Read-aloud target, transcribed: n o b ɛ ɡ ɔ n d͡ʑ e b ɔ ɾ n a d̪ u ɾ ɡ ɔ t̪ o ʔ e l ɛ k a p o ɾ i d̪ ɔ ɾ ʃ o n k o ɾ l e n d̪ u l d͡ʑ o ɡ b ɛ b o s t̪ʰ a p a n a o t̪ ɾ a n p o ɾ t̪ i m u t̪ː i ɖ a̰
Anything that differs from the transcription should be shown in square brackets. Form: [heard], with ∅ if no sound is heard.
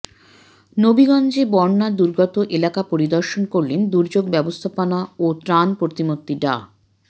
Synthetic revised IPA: n o b [i] ɡ ɔ n d͡ʑ e b ɔ ɾ n a d̪ u ɾ ɡ ɔ t̪ o ʔ e l [a] k a p o ɾ i d̪ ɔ ɾ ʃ o n k o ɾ l e n d̪ u [ɾ] d͡ʑ o ɡ b ɛ b o s t̪ʰ a p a n a o t̪ ɾ a n p o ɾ t̪ i m [o] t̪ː i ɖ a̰

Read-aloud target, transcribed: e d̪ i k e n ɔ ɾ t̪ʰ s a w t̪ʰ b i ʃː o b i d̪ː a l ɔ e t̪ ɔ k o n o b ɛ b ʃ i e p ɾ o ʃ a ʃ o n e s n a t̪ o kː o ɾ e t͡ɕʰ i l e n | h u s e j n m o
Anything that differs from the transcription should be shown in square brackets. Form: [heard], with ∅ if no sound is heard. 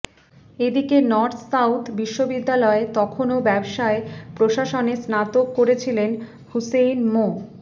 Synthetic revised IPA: e d̪ i k e n ɔ ɾ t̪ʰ s a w t̪ʰ b i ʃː o b i d̪ː a l ɔ e t̪ ɔ [kʰ] o n o b ɛ b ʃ [a] e p ɾ o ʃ a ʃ o n e s n a t̪ o kː o ɾ e t͡ɕʰ i l e n | h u s e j n m o

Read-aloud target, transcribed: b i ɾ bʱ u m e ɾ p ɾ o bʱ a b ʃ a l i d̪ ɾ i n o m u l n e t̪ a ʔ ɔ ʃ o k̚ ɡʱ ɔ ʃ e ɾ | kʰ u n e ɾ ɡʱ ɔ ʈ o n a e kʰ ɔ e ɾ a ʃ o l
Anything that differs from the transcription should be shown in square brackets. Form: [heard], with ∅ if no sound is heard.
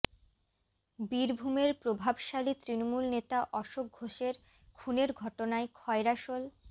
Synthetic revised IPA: b i ɾ bʱ u m e ɾ p ɾ o bʱ a b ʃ a l i [t̪] ɾ i n o m u l n e t̪ a ʔ ɔ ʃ o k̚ ɡʱ [o] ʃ e ɾ | kʰ u n e ɾ ɡʱ ɔ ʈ o n a e kʰ ɔ e ɾ a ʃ o l

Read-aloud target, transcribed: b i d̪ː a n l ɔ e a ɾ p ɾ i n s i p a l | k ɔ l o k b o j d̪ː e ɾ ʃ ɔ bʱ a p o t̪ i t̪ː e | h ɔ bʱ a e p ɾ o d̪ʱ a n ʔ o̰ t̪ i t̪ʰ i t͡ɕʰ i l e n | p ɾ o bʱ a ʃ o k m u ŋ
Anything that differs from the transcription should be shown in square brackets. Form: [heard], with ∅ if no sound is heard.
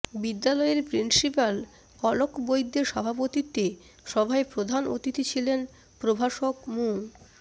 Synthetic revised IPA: b i d̪ː a [∅] l ɔ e [e] ɾ p ɾ i n s i p a l | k ɔ l o k b o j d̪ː e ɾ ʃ ɔ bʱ a p o t̪ i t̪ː e | [ʃ] ɔ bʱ a e p ɾ o d̪ʱ a n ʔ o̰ t̪ i [t̪] i t͡ɕʰ i l e n | p ɾ o bʱ a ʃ o k m u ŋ

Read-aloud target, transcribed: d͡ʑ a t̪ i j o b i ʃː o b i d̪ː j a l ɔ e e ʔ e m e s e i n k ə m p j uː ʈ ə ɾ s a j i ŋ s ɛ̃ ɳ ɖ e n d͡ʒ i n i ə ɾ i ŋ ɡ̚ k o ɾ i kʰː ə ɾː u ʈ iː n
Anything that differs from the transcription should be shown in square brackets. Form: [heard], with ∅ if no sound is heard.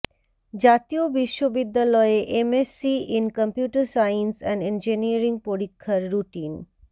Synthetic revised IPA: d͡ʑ a t̪ i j o b i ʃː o b i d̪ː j a l ɔ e e ʔ e m e s [i] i n k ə m p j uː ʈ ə ɾ s a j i [n] s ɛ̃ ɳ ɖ e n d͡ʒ i n i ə ɾ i ŋ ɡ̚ [p] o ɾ i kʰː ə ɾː u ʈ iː n

